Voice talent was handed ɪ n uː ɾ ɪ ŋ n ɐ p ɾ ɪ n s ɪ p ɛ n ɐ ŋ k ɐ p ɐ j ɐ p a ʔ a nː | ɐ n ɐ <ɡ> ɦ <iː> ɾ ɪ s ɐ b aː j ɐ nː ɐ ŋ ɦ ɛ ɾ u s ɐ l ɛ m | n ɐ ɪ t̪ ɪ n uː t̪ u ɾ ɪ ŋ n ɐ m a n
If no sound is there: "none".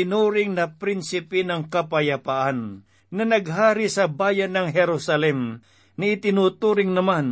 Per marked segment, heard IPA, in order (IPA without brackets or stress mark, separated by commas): ɡ, aː